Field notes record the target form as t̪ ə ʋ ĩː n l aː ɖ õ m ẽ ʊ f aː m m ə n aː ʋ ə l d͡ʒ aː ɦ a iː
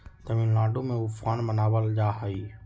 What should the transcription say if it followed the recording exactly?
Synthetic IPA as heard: t̪ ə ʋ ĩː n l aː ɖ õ m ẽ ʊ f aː n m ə n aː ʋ ə l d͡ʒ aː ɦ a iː

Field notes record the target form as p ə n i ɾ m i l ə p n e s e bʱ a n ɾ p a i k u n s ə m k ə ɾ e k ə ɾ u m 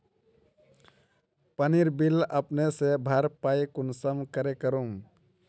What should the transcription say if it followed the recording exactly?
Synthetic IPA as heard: p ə n i ɾ b i l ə p n e s e bʱ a ɾ p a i k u n s ə m k ə ɾ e k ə ɾ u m

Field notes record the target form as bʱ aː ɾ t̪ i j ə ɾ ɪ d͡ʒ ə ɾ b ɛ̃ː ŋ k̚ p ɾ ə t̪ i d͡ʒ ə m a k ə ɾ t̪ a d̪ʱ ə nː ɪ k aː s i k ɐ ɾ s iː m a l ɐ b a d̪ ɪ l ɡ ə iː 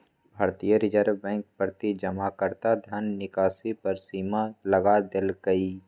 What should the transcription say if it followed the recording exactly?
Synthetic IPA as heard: bʱ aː ɾ t̪ i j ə ɾ ɪ d͡ʒ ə ɾ b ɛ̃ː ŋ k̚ p ɾ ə t̪ i d͡ʒ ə m a k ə ɾ t̪ a d̪ʱ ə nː ɪ k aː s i p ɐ ɾ s iː m a l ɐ ɡ a d̪ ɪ l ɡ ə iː

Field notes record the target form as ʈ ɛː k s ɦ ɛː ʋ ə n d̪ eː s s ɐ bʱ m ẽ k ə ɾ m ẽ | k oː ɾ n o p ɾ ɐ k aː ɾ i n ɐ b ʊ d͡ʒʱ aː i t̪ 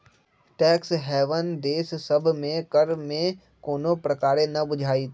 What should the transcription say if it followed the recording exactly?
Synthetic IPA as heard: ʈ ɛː k s ɦ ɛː ʋ ə n d̪ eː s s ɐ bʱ m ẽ k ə ɾ m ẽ | k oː n o p ɾ ɐ k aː ɾ e n ɐ b ʊ d͡ʒʱ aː i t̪

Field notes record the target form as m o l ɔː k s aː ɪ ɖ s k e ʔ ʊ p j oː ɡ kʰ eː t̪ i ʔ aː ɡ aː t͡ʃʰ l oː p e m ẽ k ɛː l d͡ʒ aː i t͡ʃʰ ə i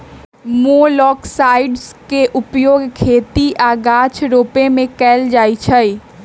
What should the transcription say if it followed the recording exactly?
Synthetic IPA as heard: m o l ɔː k s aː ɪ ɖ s k e ʔ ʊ p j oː ɡ kʰ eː t̪ i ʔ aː ɡ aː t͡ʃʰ ɾ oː p e m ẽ k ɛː l d͡ʒ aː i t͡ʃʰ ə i

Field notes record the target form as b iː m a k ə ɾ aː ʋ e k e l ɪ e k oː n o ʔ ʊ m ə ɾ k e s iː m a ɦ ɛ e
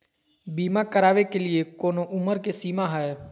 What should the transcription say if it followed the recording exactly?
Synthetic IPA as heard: b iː m a k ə ɾ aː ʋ e k e l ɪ e k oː n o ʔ ʊ m ə ɾ k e s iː m a ɦ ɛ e

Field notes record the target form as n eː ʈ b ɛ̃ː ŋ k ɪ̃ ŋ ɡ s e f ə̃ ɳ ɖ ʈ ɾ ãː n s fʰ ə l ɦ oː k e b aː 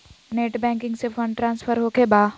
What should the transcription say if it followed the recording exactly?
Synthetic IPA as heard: n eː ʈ b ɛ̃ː ŋ k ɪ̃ ŋ ɡ s e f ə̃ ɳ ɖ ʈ ɾ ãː n s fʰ ə ɾ ɦ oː k e b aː

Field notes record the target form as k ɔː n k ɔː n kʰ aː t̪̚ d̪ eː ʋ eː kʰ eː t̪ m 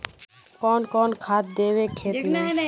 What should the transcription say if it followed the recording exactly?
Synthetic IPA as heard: k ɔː n k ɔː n kʰ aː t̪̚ d̪ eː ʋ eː kʰ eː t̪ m

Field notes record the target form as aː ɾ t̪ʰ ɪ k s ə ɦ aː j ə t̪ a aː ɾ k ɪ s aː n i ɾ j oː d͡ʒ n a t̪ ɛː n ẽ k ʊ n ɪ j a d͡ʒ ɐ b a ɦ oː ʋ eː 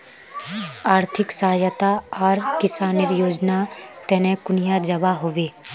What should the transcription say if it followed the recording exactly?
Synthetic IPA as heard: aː ɾ t̪ʰ ɪ k s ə ɦ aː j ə t̪ a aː ɾ k ɪ s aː n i ɾ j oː d͡ʒ n a t̪ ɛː n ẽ k ʊ n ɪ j a d͡ʒ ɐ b a ɦ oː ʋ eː

